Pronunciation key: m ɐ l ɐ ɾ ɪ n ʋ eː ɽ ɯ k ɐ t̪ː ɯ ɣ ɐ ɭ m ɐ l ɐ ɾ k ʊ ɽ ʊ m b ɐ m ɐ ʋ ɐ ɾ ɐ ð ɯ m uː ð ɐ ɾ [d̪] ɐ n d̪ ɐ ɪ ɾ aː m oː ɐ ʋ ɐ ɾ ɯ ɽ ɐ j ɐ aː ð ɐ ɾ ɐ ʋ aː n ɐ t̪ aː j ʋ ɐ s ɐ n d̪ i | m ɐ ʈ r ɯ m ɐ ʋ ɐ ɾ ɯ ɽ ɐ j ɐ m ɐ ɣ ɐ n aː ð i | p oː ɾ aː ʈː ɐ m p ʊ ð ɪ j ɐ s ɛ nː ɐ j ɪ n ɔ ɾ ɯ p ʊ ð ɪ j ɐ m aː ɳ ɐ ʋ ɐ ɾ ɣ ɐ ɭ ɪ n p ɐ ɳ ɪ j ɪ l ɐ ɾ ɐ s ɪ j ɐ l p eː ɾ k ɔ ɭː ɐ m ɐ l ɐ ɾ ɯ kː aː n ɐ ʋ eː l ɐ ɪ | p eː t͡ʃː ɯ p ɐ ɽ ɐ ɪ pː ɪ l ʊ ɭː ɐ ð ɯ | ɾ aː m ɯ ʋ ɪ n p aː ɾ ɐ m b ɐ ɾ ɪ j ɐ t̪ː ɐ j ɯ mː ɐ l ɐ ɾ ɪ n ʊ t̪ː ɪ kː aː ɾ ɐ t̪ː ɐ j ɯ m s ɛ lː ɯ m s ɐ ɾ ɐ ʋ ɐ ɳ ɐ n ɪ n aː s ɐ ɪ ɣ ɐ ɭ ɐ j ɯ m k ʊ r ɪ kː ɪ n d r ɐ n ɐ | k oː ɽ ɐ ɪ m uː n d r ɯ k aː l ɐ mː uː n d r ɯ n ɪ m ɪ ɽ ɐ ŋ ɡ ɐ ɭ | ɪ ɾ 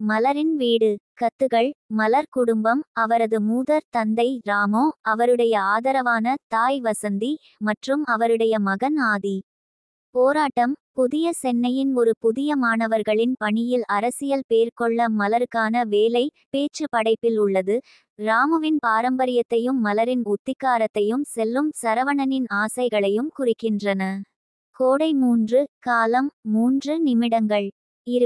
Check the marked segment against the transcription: incorrect: t̪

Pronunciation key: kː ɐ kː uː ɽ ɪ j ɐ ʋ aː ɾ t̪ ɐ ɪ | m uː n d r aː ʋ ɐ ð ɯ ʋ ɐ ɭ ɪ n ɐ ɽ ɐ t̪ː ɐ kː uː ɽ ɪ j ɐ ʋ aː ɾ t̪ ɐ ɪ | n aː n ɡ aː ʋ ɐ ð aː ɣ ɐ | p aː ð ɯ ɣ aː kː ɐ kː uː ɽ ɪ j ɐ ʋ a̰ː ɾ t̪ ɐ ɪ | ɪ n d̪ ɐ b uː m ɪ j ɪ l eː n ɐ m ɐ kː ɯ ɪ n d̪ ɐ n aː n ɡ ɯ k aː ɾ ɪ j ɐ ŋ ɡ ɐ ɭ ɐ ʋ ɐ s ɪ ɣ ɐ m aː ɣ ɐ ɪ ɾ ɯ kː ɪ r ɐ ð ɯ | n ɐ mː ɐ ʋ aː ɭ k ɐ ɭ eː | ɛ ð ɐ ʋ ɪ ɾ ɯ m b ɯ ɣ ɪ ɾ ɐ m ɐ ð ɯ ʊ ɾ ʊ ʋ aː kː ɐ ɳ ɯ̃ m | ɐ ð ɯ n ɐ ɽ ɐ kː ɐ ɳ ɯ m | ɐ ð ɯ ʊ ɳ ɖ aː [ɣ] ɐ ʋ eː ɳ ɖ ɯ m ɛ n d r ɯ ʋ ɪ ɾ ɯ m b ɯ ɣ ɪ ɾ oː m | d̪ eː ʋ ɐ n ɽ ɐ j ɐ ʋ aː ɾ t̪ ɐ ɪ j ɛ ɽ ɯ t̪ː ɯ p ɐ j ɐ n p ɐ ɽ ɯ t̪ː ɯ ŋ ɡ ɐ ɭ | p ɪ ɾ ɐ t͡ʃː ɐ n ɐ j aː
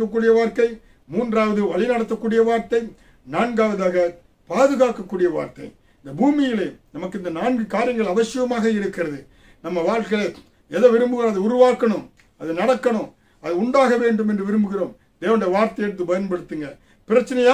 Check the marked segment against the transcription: correct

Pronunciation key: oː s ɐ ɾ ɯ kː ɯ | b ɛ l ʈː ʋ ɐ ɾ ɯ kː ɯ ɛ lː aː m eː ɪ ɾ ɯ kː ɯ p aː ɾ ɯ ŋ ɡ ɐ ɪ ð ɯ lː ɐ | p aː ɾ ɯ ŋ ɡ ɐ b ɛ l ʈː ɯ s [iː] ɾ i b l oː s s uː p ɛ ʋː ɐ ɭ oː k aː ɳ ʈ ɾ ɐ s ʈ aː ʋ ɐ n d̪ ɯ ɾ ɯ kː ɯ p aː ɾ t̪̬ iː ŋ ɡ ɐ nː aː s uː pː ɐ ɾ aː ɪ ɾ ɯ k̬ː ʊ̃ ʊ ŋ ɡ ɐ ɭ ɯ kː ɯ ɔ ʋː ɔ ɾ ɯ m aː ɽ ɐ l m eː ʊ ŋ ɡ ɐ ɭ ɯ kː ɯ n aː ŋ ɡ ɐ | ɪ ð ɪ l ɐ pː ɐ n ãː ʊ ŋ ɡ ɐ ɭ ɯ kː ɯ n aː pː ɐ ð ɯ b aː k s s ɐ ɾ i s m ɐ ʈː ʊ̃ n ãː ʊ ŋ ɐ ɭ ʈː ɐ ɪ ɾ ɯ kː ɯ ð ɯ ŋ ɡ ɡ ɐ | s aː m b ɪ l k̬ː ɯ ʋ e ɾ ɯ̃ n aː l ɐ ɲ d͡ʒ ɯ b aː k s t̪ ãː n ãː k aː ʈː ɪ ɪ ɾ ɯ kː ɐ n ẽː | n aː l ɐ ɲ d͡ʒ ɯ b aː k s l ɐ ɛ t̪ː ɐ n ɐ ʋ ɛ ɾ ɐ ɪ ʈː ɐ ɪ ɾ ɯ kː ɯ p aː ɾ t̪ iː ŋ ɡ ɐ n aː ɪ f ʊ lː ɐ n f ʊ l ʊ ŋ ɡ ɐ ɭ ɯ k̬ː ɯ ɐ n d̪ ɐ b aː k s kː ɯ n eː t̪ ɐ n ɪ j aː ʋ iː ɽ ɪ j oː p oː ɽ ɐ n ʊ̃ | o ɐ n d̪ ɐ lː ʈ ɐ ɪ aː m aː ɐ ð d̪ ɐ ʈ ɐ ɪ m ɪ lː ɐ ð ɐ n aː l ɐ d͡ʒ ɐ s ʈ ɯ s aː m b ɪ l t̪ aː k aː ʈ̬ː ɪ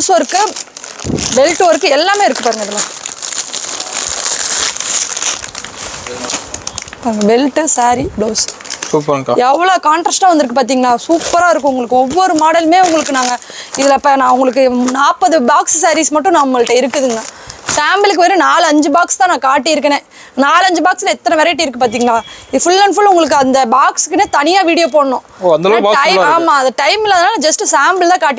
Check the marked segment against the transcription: incorrect: aː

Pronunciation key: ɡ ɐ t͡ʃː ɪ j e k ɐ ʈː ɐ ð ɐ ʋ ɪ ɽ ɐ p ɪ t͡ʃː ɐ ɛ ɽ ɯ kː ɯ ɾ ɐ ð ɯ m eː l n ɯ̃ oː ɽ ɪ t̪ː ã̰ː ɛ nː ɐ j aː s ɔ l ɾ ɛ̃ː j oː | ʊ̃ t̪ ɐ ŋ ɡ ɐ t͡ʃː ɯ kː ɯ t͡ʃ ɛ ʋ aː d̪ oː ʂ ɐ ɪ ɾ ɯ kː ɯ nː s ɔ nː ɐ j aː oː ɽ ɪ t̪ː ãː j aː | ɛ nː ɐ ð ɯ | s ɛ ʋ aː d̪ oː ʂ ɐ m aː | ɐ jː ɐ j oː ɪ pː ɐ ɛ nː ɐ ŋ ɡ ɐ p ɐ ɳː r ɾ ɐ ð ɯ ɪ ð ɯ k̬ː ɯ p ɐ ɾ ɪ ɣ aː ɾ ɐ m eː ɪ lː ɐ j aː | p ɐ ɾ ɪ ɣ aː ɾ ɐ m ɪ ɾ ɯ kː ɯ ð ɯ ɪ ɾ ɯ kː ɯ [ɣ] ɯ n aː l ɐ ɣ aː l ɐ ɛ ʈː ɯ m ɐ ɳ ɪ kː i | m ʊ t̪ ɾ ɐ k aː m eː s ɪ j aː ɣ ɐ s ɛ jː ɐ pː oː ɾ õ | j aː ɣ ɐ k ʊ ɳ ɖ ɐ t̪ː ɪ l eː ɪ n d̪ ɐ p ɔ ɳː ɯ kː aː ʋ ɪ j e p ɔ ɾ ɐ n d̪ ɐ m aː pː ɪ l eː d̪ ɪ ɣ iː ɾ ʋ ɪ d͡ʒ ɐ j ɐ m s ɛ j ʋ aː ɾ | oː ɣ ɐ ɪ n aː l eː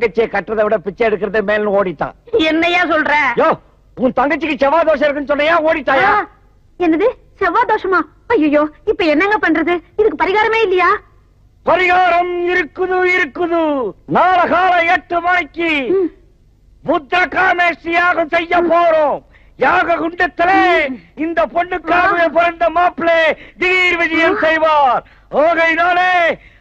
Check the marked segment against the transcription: incorrect: ð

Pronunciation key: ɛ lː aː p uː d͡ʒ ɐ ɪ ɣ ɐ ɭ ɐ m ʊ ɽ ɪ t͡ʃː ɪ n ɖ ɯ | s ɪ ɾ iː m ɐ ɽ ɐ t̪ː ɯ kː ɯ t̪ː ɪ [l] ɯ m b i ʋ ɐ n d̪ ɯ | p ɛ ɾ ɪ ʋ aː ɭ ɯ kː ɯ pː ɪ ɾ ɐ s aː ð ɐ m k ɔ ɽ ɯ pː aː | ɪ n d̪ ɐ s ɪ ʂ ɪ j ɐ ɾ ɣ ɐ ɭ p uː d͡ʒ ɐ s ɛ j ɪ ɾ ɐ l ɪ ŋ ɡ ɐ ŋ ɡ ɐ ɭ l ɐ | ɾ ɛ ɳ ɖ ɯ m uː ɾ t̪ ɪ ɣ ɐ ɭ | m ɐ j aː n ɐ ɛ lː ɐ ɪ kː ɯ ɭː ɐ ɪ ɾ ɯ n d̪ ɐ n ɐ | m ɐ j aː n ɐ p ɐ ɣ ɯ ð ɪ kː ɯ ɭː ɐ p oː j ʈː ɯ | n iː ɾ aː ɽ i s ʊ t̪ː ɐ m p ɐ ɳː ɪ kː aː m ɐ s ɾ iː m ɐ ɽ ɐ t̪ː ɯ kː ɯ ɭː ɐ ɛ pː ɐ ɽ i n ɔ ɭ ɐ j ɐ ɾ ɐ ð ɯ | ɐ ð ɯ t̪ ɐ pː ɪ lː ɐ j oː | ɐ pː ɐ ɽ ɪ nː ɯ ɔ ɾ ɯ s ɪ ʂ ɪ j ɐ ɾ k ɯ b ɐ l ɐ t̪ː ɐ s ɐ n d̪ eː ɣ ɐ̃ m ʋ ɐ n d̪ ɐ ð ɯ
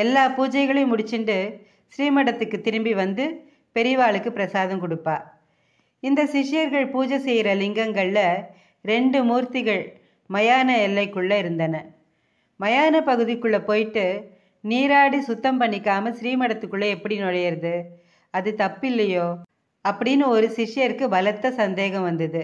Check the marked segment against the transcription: incorrect: ɾ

